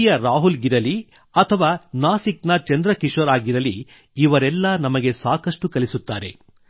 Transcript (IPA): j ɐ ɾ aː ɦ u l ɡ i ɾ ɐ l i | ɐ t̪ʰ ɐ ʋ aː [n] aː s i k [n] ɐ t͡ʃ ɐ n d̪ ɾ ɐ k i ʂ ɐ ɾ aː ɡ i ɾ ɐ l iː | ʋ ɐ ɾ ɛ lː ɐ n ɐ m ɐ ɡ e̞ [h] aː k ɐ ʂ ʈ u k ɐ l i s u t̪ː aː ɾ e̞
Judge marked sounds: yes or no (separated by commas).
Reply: yes, yes, no